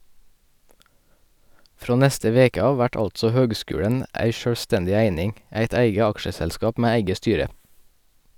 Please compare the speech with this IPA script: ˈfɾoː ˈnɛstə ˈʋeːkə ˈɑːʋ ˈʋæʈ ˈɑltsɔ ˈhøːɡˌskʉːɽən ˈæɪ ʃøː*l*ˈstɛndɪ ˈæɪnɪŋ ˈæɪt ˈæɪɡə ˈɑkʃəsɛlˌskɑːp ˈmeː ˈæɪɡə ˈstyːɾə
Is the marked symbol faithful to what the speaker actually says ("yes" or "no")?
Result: no